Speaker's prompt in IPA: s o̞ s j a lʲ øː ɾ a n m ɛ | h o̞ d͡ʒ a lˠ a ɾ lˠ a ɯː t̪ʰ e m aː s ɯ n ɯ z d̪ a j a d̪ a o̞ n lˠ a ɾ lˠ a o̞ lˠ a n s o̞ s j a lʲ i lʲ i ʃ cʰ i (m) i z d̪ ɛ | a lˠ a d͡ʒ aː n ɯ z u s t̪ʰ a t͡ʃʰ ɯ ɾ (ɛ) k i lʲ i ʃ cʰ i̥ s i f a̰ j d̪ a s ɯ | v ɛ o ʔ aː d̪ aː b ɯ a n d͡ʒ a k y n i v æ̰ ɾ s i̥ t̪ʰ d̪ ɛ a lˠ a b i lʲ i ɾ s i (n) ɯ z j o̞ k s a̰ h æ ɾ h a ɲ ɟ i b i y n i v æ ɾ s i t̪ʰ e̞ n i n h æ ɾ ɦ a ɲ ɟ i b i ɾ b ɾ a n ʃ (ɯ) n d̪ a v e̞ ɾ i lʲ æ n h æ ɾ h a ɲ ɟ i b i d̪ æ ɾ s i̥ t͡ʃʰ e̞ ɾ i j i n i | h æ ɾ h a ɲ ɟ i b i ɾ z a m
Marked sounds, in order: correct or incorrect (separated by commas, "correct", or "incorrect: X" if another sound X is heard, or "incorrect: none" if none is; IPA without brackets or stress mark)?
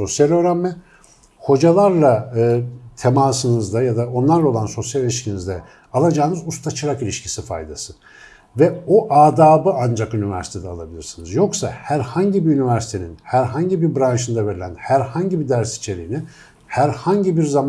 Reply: incorrect: n, incorrect: a, correct, correct